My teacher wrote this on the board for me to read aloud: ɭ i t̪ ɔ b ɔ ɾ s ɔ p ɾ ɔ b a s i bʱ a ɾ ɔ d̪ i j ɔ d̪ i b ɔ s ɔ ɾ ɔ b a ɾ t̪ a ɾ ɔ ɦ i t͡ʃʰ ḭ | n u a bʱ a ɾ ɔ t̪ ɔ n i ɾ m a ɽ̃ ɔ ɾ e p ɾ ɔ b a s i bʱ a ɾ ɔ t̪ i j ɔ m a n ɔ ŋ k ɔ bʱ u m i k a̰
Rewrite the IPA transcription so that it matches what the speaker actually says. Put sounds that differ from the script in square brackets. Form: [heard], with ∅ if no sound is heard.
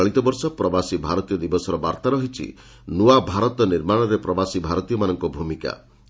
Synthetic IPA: ɭ i t̪ ɔ b ɔ ɾ s ɔ p ɾ ɔ b a s i bʱ a ɾ ɔ [t̪] i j ɔ d̪ i b ɔ s ɔ ɾ ɔ b a ɾ t̪ a ɾ ɔ ɦ i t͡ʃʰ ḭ | n u a bʱ a ɾ ɔ t̪ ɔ n i ɾ m a ɽ̃ ɔ ɾ e p ɾ ɔ b a s i bʱ a ɾ ɔ t̪ i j ɔ m a n ɔ ŋ k ɔ bʱ u m i k a̰